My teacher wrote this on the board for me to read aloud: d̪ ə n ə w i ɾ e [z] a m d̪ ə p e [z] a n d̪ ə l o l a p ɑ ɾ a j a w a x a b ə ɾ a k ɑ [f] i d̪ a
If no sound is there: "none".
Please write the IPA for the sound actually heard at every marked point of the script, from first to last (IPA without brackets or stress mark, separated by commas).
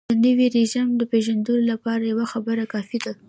ʒ, ʒ, f